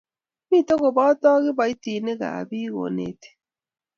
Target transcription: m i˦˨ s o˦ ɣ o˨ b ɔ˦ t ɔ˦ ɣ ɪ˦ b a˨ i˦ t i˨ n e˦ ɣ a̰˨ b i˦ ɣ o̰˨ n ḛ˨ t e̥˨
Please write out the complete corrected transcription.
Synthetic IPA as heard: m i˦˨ t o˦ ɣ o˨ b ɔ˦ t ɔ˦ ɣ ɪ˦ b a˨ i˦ t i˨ n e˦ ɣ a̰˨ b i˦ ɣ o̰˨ n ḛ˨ t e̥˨